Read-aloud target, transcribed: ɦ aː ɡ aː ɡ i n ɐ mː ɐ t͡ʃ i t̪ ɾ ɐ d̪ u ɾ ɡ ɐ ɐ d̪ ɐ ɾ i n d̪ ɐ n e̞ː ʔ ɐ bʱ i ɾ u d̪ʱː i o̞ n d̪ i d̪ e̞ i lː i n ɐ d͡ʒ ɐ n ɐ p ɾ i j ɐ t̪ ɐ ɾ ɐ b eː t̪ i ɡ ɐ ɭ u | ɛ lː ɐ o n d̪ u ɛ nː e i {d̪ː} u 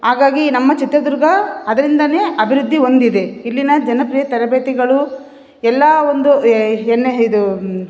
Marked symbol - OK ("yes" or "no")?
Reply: no